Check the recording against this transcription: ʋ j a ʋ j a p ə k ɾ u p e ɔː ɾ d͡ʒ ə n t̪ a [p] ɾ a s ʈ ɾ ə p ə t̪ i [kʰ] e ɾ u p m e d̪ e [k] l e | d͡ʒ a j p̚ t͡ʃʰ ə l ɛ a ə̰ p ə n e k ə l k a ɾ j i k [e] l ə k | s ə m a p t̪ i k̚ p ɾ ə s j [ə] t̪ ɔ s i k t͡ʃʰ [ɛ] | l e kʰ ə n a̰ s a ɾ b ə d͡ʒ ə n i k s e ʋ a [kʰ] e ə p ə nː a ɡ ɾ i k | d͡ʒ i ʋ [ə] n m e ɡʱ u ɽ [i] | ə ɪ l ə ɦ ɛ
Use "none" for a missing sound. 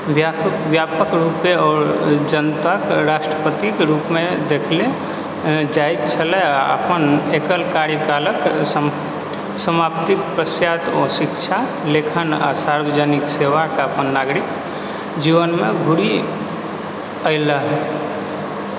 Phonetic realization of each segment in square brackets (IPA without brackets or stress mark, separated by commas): k, k, kʰ, a, a, a, k, ə, i